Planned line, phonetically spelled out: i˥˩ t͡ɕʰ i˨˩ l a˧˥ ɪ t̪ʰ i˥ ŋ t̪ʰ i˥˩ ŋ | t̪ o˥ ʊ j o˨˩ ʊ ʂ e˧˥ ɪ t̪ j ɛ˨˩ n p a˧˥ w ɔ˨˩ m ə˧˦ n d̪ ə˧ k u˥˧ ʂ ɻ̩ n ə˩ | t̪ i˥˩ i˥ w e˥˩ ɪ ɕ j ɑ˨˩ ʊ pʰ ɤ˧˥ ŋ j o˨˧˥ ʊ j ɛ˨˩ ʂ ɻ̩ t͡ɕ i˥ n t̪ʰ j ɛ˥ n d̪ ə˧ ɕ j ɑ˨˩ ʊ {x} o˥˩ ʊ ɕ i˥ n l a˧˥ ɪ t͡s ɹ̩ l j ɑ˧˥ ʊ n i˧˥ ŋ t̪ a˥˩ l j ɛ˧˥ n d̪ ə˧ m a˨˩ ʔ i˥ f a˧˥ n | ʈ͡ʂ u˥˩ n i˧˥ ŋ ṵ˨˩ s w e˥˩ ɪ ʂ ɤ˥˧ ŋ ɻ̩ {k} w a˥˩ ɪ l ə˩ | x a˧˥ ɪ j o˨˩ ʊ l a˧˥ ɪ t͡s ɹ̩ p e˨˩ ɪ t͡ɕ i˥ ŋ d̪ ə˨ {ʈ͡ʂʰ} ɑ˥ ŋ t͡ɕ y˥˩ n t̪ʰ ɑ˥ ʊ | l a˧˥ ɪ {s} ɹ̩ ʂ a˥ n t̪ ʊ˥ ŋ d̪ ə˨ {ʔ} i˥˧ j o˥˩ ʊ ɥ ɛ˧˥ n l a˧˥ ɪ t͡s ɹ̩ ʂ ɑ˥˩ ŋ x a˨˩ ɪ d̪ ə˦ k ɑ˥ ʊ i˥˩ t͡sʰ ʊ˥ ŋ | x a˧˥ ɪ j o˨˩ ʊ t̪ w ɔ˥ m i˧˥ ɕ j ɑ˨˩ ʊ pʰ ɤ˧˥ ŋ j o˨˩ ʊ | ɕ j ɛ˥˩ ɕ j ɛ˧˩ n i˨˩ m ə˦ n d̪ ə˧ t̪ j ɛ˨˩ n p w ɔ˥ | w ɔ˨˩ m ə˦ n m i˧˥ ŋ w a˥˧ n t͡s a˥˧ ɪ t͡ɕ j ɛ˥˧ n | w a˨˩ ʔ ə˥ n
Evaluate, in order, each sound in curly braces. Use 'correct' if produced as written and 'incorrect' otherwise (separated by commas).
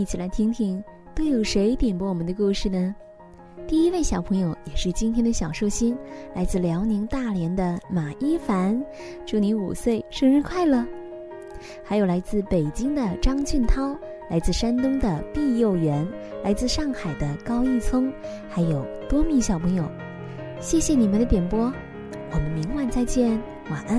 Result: incorrect, incorrect, incorrect, incorrect, incorrect